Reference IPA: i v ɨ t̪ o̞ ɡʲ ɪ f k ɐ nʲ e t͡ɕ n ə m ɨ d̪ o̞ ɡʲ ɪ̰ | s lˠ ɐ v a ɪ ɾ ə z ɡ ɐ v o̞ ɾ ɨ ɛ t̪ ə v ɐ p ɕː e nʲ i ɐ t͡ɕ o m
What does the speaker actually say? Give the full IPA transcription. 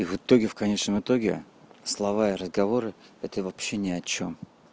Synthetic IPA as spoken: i v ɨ t̪ o̞ ɡʲ ɪ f k ɐ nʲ e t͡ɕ n ə m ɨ t̪ o̞ ɡʲ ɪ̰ | s lˠ ɐ v a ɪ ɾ ə z ɡ ɐ v o̞ ɾ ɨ ɛ t̪ ə v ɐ p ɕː e nʲ ɪ ɐ t͡ɕ o m